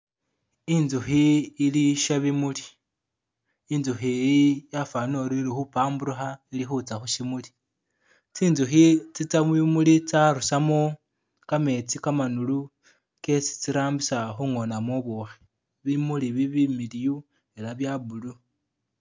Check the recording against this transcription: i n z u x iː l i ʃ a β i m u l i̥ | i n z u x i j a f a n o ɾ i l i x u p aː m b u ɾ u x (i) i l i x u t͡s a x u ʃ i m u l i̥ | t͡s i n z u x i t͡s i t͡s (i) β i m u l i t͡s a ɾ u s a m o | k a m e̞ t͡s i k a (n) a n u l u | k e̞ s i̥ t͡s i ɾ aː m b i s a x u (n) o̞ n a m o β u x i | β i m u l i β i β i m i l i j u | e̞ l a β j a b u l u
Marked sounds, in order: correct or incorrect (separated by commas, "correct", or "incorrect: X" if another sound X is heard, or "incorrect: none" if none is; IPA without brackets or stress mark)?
incorrect: a, incorrect: a, incorrect: m, incorrect: ŋ